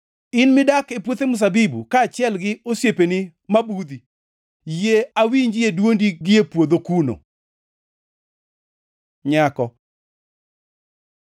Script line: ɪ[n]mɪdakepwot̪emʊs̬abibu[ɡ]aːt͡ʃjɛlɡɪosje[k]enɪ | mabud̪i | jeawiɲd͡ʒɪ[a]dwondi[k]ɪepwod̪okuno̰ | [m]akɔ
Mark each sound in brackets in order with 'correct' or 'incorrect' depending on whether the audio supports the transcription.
correct, incorrect: k, incorrect: p, incorrect: e, incorrect: ɡ, incorrect: ɲ

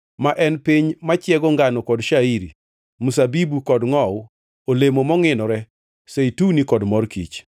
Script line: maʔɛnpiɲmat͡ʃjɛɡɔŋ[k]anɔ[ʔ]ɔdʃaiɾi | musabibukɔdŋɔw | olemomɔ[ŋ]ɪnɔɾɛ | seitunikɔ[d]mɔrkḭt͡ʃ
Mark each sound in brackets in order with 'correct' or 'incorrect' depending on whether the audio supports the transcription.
incorrect: ɡ, incorrect: k, correct, correct

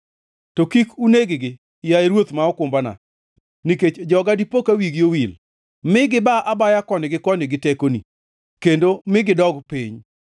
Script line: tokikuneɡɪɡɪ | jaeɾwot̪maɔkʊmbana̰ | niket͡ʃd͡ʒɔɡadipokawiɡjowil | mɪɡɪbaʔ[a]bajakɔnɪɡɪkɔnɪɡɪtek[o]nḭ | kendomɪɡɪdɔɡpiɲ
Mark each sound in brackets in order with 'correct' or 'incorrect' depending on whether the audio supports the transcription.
correct, correct

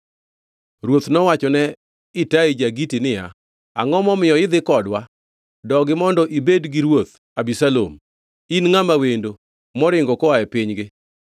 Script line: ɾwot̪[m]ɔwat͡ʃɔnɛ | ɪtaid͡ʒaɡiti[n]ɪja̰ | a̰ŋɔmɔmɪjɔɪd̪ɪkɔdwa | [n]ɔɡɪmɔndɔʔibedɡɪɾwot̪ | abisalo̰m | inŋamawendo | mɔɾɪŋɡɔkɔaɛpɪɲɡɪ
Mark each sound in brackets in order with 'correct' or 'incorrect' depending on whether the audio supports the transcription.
incorrect: n, correct, incorrect: d

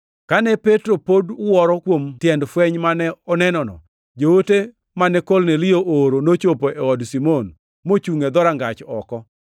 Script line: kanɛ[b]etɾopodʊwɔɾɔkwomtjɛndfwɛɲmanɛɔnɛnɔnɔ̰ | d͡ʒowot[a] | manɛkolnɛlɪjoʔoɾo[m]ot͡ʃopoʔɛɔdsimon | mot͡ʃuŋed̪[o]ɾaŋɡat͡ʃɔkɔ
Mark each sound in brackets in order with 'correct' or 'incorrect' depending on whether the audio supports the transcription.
incorrect: p, incorrect: e, incorrect: n, incorrect: ɔ

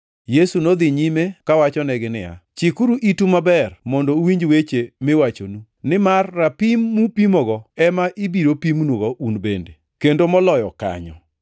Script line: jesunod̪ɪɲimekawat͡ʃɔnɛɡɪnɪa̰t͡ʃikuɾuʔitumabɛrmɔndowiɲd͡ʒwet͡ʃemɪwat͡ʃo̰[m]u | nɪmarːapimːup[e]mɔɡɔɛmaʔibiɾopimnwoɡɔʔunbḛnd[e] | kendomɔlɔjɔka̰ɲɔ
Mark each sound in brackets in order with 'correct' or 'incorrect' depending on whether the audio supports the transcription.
incorrect: n, incorrect: i, correct

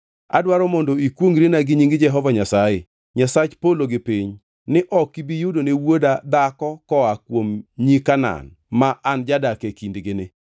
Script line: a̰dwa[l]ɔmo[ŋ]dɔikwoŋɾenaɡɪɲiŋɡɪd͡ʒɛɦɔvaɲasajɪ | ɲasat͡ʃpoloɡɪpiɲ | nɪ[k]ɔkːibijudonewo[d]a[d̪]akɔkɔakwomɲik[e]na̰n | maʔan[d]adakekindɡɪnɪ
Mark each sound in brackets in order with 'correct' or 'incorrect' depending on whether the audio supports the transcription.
incorrect: ɾ, incorrect: n, incorrect: ʔ, correct, correct, incorrect: a, incorrect: d͡ʒ

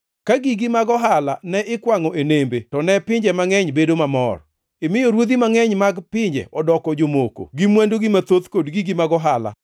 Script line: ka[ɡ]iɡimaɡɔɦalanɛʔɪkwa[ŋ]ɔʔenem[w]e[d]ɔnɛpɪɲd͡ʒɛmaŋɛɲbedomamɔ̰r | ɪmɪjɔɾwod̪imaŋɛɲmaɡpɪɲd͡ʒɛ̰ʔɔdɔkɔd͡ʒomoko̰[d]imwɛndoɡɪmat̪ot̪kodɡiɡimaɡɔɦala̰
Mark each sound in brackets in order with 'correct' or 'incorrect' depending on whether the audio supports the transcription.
correct, correct, incorrect: b, incorrect: t, incorrect: ɡ

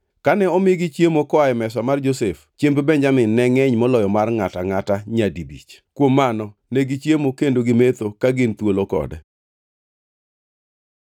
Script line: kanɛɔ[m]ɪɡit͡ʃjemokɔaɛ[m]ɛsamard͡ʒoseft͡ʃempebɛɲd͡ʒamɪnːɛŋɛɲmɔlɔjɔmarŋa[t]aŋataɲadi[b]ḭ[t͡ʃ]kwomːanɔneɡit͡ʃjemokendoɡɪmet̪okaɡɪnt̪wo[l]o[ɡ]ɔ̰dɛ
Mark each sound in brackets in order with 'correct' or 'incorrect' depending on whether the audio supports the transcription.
correct, correct, correct, correct, correct, correct, incorrect: k

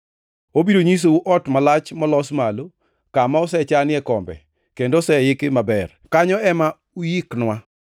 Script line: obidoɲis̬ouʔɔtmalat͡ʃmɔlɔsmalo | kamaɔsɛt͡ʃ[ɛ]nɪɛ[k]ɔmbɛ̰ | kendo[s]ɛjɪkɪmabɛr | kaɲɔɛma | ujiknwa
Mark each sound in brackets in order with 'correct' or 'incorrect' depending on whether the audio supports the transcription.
incorrect: a, correct, correct

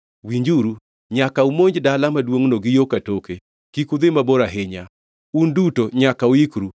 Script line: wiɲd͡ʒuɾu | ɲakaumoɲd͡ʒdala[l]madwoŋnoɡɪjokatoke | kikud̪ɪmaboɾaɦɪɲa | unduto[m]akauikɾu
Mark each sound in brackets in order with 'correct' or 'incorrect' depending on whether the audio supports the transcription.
incorrect: none, incorrect: ɲ

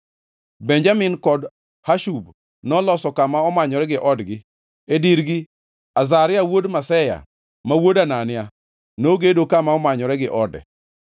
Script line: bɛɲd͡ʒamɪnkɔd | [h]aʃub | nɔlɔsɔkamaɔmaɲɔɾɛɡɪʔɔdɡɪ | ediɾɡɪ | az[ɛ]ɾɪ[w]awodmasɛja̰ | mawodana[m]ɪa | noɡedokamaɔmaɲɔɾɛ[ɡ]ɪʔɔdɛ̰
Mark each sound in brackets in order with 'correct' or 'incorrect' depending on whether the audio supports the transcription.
correct, incorrect: a, incorrect: none, incorrect: n, correct

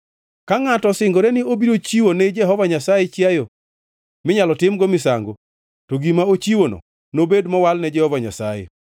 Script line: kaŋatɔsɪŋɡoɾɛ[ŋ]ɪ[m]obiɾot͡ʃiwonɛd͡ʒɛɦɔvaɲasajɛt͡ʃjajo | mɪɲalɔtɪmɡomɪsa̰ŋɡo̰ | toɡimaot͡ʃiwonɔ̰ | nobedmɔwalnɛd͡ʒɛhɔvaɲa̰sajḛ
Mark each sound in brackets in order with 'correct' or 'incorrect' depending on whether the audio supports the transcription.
incorrect: n, incorrect: none

